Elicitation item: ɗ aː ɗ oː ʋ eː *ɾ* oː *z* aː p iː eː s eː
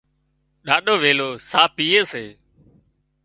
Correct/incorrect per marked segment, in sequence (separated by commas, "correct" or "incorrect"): incorrect, incorrect